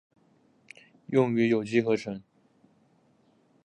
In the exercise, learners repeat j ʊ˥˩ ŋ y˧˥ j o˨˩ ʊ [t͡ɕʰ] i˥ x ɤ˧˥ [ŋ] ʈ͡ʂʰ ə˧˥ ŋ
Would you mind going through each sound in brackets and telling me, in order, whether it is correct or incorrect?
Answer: incorrect: t͡ɕ, incorrect: none

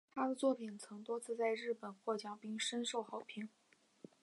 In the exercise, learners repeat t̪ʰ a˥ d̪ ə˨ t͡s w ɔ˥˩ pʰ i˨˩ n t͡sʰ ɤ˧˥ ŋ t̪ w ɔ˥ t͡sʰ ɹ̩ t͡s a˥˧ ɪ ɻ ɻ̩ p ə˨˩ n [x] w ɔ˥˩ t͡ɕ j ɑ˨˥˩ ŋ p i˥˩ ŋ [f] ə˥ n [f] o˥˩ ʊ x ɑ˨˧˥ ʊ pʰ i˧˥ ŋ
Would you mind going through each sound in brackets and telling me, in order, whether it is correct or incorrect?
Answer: correct, incorrect: ʂ, incorrect: ʂ

